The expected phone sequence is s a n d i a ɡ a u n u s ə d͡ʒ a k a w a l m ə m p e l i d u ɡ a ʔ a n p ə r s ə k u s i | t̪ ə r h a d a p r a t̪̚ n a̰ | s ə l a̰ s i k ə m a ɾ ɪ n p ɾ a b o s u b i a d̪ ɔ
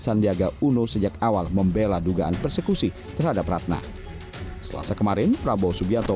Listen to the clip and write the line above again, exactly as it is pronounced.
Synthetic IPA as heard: s a n d i a ɡ a u n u s ə d͡ʒ a k a w a l m ə m b e l a d u ɡ a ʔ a n p ə r s ə k u s i | t̪ ə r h a d a p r a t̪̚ n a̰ | s ə l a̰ s a k ə m a ɾ ɪ n p ɾ a b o s u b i a t̪ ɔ